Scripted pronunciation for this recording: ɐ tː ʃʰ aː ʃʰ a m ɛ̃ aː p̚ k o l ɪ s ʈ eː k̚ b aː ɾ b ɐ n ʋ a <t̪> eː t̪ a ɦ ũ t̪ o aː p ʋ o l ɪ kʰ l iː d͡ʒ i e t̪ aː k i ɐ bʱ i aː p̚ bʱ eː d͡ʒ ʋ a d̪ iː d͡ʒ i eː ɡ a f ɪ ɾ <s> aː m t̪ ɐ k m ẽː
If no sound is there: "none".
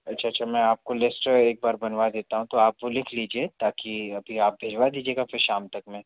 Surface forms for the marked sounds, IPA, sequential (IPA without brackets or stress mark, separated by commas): d̪, ʃ